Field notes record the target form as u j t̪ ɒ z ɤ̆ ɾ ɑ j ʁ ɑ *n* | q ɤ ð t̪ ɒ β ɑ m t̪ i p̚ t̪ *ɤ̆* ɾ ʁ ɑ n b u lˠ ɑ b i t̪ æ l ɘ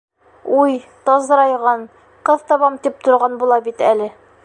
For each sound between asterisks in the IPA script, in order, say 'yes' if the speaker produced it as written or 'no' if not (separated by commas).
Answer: yes, no